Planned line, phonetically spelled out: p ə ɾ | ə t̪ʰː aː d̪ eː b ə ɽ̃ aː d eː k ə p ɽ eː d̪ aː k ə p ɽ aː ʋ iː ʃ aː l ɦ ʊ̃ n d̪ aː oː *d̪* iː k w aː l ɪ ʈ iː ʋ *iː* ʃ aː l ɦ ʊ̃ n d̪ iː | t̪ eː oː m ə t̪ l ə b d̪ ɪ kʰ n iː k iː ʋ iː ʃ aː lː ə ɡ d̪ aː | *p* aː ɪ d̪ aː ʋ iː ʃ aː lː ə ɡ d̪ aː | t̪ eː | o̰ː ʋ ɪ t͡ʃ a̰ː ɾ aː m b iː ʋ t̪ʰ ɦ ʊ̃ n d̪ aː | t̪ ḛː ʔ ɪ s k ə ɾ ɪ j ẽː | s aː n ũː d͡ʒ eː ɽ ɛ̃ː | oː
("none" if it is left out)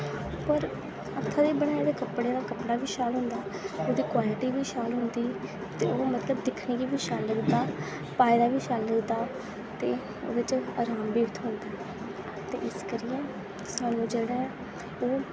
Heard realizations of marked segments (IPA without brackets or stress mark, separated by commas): d̪, iː, p